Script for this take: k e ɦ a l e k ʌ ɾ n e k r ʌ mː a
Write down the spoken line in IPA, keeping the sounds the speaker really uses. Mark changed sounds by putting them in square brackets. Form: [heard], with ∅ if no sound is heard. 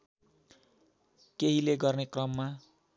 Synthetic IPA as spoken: k e ɦ [i] l e [ɡ] ʌ [r] n e k r ʌ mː a